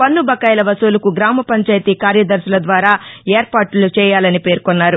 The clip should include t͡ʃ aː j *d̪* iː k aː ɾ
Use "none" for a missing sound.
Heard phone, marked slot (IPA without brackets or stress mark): t̪